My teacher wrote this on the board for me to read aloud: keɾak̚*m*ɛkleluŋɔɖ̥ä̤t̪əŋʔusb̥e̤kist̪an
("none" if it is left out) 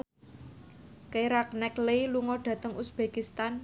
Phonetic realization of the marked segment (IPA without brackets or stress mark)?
n